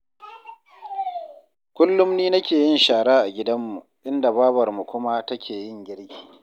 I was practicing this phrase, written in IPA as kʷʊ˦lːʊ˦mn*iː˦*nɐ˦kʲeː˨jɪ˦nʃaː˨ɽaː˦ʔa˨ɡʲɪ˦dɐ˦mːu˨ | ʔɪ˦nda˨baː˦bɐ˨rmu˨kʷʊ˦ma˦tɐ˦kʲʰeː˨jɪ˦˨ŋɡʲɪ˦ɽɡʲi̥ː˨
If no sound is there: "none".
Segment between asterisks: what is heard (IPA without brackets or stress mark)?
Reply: iː˦